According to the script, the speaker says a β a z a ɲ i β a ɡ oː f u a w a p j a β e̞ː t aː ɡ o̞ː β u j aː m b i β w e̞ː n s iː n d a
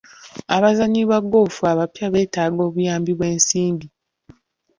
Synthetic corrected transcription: a β a z a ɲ i β a ɡ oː f u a β a p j a β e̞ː t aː ɡ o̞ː β u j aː m b i β w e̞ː n s iː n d i